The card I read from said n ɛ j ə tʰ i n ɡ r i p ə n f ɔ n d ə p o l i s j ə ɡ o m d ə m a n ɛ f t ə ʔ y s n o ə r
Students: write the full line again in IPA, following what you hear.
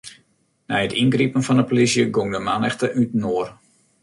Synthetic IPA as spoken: n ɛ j ə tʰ i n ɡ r i p ə n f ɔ n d ə p o l i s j ə ɡ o ŋ d ə m a n ɛ x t ə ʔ y t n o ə r